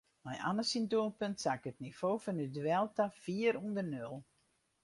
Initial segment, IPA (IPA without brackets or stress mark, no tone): m